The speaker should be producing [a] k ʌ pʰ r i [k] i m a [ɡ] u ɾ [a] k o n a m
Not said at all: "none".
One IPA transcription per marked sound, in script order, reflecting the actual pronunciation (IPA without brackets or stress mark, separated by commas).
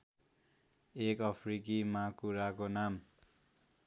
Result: e, k, k, a